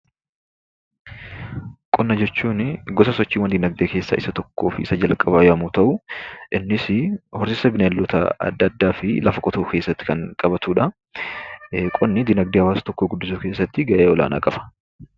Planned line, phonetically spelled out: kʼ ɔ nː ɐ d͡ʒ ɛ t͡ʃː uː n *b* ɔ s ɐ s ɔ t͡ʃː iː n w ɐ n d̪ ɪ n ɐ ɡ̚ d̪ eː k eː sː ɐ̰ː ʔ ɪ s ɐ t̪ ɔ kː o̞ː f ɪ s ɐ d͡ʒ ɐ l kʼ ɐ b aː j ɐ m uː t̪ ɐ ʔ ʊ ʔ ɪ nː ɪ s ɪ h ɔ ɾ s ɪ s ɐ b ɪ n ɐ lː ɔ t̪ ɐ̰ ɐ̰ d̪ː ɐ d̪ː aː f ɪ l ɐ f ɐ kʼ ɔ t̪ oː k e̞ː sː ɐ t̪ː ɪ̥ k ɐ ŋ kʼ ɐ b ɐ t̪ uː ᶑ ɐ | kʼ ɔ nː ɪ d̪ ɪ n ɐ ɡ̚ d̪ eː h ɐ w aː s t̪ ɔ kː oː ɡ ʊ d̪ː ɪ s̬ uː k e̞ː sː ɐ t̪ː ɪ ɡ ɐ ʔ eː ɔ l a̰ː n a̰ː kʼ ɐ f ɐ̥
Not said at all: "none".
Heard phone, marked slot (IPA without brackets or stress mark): ɡ